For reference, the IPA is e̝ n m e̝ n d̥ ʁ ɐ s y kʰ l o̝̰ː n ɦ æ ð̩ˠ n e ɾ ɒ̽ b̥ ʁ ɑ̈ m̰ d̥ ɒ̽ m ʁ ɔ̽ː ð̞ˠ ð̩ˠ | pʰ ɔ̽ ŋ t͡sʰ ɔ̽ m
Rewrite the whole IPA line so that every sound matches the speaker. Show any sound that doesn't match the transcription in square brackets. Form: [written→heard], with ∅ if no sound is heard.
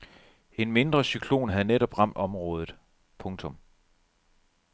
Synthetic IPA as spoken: e̝ n m e̝ n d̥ ʁ ɐ s y kʰ l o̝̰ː n ɦ æ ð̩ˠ n e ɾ ɒ̽ b̥ ʁ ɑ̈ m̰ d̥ ɒ̽ m ʁ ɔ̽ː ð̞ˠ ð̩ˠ | pʰ ɔ̽ ŋ t͡sʰ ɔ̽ m